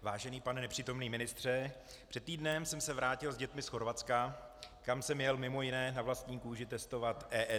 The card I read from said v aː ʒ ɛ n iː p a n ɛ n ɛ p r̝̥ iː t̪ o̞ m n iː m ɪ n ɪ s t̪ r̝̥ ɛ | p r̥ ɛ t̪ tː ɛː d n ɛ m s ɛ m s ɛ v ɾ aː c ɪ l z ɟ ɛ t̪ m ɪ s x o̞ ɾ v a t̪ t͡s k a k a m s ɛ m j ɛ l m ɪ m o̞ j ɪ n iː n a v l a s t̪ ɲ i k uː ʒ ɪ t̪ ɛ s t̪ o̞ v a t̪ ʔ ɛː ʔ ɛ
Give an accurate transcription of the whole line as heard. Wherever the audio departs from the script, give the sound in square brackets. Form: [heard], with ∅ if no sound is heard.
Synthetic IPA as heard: v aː ʒ ɛ n iː p a n ɛ n ɛ p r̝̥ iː t̪ o̞ m n iː m ɪ n ɪ s t̪ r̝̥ ɛ | p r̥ ɛ t̪ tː [iː] d n ɛ m s ɛ m s ɛ v ɾ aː c ɪ l z ɟ ɛ t̪ m ɪ s x o̞ ɾ v a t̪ t͡s k a k a m s ɛ m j ɛ l m ɪ m o̞ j ɪ n [ɛː] n a v l a s t̪ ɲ [iː] k uː ʒ ɪ t̪ ɛ s t̪ o̞ v a t̪ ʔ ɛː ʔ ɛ